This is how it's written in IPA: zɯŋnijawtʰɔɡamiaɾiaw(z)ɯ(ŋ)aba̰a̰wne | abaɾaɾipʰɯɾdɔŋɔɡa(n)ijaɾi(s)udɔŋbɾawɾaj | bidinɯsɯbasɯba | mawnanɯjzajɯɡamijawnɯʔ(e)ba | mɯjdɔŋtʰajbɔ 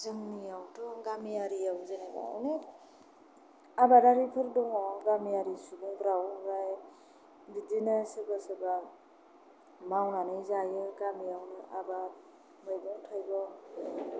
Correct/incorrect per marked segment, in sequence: correct, incorrect, incorrect, correct, incorrect

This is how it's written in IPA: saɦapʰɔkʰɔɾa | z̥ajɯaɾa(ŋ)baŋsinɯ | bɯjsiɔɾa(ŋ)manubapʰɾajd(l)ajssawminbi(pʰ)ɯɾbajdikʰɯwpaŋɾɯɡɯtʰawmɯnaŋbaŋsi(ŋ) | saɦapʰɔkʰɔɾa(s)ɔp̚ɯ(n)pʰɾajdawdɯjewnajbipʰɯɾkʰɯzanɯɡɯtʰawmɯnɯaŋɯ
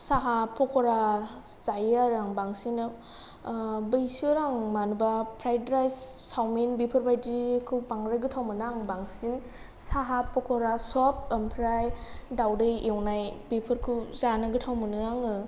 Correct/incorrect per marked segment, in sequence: correct, correct, incorrect, correct, incorrect, correct, incorrect

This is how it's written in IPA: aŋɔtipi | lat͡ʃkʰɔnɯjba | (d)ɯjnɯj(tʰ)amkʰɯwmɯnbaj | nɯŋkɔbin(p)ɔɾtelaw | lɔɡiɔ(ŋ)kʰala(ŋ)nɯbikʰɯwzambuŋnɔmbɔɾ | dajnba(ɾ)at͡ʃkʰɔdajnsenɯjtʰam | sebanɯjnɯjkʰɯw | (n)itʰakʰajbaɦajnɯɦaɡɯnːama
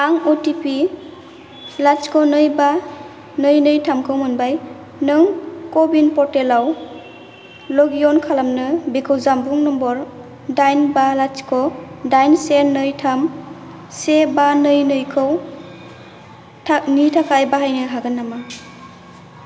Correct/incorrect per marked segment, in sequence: incorrect, correct, correct, incorrect, incorrect, incorrect, correct

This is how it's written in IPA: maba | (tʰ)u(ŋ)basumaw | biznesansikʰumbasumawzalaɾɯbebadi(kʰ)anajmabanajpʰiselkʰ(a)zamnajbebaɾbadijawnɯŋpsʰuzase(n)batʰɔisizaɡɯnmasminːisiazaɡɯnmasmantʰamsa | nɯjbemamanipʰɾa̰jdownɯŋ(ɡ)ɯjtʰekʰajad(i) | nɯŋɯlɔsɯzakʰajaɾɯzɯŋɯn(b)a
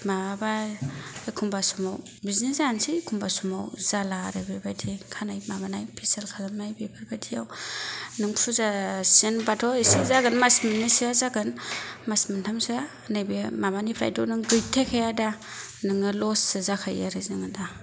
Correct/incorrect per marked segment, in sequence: incorrect, incorrect, correct, correct, correct, correct, incorrect, incorrect

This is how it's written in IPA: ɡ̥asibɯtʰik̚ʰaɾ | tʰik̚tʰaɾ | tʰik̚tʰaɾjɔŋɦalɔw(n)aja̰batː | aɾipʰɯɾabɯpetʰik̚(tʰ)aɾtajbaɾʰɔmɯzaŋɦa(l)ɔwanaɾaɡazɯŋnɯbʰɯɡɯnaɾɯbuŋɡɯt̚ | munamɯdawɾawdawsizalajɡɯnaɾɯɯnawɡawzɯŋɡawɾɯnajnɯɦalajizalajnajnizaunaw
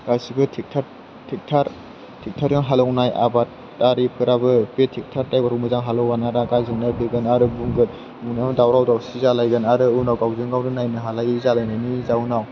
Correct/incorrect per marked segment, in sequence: correct, correct, correct

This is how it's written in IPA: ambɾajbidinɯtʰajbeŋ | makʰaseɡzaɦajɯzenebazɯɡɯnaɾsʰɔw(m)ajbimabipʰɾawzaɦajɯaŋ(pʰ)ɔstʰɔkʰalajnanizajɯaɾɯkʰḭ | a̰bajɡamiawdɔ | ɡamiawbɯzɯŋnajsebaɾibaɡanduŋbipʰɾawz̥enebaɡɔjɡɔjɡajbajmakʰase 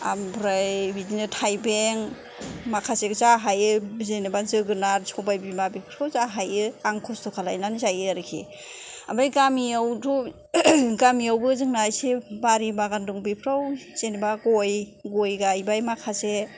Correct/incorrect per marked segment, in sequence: incorrect, incorrect

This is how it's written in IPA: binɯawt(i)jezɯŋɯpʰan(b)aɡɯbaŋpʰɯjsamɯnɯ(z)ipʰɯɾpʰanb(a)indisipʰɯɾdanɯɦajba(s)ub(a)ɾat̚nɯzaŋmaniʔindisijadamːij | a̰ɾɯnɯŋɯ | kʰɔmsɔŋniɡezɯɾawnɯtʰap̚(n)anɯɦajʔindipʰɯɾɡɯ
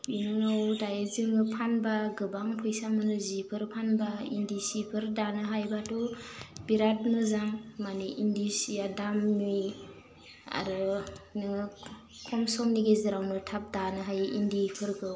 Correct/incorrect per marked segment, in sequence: incorrect, correct, correct, correct, incorrect, incorrect, incorrect

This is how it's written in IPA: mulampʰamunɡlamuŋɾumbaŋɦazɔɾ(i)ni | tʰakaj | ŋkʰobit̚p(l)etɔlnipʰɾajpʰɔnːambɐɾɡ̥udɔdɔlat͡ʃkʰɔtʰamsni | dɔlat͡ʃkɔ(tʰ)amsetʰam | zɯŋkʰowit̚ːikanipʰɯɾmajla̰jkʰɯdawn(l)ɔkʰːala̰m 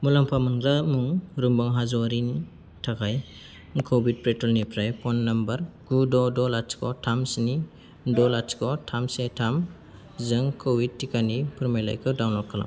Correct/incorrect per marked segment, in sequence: correct, incorrect, correct, correct

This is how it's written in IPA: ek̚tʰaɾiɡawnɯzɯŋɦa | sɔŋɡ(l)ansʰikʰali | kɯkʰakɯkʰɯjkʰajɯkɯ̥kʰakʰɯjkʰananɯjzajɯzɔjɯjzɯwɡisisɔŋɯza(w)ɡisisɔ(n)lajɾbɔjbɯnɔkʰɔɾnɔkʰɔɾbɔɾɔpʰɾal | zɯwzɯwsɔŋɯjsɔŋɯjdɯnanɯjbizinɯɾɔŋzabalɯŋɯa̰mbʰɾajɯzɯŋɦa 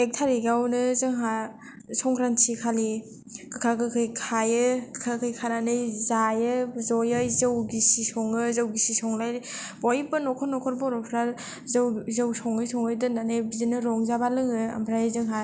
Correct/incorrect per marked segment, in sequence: incorrect, correct, incorrect

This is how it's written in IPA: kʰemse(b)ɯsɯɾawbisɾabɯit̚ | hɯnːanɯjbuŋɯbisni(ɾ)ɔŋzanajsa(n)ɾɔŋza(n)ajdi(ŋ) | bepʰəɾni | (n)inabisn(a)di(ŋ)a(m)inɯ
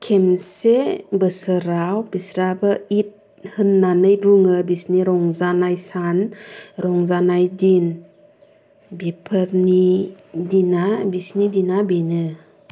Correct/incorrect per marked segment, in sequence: correct, correct, correct, correct, incorrect, incorrect, incorrect, incorrect, incorrect

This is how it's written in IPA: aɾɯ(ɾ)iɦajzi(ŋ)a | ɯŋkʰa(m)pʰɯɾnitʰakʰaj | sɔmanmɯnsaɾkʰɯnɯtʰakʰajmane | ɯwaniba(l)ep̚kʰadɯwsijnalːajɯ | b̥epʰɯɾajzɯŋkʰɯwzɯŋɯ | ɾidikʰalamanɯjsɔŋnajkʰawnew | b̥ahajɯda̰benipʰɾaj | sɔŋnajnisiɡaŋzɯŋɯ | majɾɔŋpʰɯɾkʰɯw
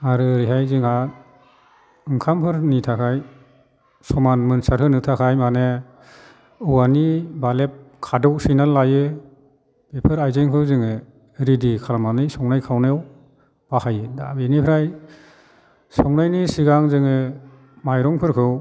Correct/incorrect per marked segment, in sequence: correct, correct, correct, correct

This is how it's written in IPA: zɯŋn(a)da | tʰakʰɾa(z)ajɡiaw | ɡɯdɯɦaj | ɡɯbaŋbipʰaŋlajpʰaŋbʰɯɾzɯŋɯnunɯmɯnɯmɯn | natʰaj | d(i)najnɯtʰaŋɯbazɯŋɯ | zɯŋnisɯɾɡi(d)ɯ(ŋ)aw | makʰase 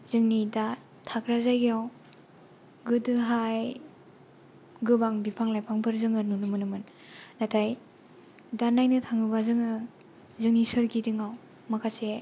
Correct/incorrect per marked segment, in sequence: incorrect, correct, incorrect, correct, correct

